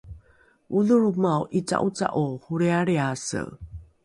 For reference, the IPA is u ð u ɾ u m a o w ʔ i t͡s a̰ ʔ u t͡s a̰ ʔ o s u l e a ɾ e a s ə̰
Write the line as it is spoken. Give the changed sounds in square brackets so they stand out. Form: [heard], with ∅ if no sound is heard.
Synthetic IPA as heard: u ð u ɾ u m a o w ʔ i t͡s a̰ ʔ u t͡s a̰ ʔ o [h] u [ɾ] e a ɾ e a s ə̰